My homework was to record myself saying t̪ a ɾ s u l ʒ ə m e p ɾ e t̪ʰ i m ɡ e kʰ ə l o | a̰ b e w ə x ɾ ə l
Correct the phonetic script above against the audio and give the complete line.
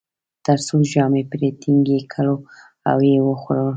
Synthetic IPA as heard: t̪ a ɾ s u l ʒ ɑ m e p ɾ e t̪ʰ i ŋ ɡ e kʰ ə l o | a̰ w e w ə x ɾ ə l